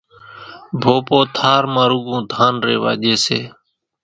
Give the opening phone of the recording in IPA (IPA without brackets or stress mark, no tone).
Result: bʱ